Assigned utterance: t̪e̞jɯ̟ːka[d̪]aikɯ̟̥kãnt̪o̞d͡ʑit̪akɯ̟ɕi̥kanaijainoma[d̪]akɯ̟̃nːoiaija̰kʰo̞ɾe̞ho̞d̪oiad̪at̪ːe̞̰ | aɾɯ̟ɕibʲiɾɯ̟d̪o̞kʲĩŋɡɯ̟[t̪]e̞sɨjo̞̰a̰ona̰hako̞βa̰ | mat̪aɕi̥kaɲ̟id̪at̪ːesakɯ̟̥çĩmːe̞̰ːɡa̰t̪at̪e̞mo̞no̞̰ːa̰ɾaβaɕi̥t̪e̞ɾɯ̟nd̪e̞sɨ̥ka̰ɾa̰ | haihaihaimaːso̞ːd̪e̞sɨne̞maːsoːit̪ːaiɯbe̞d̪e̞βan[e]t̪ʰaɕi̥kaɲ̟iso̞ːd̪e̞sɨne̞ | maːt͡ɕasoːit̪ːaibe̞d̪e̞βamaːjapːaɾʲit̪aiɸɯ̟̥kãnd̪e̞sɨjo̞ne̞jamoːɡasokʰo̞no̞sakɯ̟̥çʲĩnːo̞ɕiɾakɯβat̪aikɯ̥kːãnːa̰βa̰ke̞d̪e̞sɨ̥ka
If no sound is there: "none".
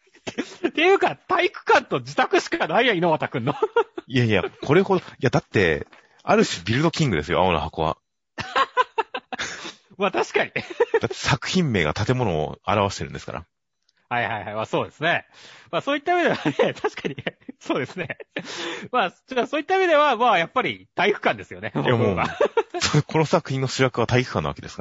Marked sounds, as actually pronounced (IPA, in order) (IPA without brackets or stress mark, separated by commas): t̪, t̪, d̪, e